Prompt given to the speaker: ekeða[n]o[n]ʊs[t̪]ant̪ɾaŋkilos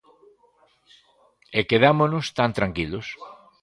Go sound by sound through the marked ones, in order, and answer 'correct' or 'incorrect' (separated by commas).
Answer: incorrect, correct, correct